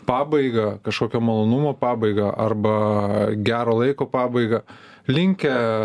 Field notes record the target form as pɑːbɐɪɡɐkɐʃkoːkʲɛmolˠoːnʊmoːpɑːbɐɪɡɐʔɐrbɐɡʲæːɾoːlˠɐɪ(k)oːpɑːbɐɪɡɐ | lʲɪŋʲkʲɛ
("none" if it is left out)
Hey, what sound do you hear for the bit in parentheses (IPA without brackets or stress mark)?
k